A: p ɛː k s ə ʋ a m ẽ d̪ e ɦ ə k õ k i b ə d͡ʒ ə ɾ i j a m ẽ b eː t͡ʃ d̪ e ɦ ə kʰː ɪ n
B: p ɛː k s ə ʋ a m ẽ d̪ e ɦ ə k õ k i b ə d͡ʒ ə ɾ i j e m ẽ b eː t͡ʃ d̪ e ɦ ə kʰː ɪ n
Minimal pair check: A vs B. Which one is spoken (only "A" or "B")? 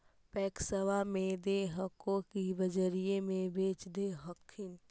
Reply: B